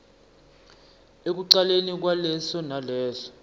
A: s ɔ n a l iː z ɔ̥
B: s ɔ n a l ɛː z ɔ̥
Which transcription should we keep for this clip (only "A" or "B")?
B